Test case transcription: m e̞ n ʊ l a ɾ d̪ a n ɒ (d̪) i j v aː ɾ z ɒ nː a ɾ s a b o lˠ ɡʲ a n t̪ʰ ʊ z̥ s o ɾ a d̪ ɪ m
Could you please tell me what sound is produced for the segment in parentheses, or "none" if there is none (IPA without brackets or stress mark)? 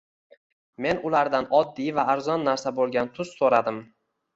d̪ː